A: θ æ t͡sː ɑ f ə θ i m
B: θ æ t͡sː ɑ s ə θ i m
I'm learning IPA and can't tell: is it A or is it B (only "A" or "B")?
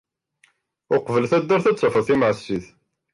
A